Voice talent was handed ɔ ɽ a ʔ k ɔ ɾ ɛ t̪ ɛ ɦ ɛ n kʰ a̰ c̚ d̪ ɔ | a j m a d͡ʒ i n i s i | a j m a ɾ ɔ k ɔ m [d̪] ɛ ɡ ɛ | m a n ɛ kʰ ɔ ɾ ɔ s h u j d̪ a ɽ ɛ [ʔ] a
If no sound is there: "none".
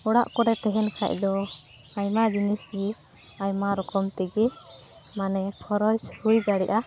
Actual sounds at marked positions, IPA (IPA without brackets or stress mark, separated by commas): t̪, ʔ